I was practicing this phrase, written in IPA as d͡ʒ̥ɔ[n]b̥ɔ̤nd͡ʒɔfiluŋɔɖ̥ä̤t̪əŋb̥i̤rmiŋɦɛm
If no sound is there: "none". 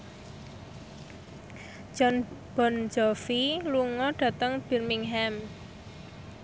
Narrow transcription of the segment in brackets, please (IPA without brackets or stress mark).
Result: n